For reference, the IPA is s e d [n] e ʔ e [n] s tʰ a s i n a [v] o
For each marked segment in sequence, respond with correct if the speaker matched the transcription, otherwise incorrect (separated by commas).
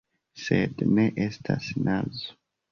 correct, incorrect, incorrect